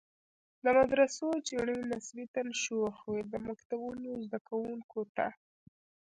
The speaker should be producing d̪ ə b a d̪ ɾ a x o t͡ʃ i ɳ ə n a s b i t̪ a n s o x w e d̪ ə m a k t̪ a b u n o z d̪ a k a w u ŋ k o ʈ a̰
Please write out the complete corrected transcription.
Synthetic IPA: d̪ ə m a d̪ ɾ a s o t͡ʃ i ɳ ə n a s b i t̪ a n ʃ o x w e d̪ ə m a k t̪ a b u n o z d̪ a k a w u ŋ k o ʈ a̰